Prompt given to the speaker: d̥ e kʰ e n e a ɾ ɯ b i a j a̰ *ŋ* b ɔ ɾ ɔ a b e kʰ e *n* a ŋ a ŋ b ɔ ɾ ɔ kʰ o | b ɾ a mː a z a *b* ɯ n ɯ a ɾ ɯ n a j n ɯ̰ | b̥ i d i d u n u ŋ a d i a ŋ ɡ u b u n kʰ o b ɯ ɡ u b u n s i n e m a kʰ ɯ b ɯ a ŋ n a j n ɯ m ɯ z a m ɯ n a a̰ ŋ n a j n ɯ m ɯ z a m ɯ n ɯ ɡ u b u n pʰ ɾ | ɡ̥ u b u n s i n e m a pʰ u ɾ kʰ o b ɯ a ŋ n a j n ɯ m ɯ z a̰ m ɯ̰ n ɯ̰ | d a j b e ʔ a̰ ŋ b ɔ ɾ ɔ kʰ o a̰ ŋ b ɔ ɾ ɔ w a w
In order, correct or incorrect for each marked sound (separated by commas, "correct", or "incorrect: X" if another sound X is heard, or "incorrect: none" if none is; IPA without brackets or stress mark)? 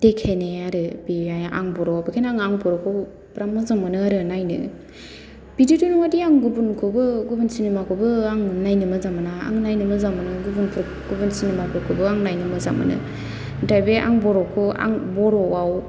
correct, correct, incorrect: m